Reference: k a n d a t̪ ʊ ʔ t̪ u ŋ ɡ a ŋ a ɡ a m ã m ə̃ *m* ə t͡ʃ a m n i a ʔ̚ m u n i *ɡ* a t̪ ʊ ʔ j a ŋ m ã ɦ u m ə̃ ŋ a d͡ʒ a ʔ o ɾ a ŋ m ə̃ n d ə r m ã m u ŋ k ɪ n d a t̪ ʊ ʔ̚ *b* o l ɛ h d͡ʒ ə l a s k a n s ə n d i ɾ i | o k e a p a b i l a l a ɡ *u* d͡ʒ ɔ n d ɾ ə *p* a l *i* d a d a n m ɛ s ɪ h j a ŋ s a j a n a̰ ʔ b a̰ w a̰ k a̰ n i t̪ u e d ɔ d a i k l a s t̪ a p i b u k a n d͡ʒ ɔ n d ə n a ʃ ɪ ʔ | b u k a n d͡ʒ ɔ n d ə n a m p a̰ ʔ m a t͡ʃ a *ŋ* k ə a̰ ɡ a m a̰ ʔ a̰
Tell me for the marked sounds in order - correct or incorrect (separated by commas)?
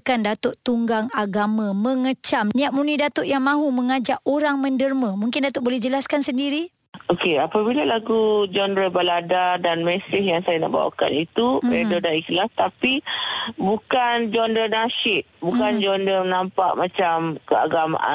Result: incorrect, incorrect, correct, correct, incorrect, incorrect, incorrect